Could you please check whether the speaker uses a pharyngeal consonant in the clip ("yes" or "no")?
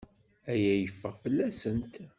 no